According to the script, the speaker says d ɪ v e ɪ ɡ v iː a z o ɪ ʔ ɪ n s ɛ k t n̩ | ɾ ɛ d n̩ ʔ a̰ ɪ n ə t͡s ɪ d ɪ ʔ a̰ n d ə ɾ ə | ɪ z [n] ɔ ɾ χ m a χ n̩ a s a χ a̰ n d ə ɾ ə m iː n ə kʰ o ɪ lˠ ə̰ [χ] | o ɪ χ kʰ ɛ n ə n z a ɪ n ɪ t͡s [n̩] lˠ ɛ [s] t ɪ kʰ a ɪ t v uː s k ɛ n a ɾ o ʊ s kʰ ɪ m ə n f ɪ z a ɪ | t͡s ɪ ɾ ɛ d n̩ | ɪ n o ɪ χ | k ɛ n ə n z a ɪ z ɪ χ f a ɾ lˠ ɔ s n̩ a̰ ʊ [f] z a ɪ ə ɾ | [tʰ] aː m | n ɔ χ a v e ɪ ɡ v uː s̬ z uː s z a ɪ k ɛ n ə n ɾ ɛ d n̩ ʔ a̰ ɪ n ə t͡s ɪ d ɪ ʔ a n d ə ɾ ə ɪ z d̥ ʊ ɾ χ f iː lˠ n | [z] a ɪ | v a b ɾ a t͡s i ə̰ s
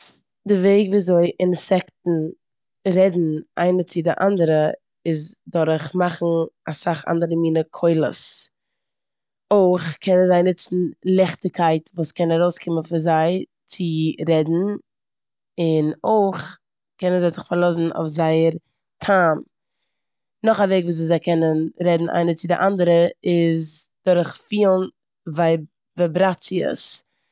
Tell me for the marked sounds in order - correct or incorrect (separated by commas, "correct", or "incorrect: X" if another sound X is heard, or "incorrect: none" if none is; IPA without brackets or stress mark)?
incorrect: d, incorrect: s, correct, incorrect: χ, correct, correct, incorrect: v